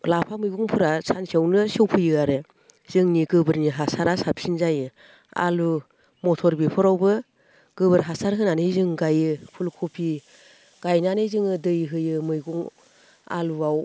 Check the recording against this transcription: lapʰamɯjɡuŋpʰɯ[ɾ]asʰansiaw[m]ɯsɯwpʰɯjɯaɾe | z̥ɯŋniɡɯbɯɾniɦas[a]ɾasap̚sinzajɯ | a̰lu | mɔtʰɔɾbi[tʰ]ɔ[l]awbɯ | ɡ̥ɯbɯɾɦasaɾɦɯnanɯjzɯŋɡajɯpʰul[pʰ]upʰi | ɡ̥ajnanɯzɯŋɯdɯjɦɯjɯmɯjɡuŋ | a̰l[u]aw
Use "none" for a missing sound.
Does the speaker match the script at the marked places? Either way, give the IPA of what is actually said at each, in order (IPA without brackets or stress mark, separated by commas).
ɾ, n, a, pʰ, ɾ, kʰ, u